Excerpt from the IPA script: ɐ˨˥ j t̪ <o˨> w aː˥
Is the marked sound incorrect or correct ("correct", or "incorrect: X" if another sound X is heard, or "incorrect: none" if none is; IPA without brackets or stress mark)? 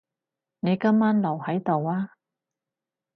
correct